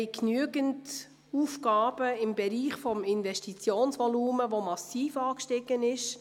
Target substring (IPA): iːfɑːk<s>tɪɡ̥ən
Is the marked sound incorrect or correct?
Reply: incorrect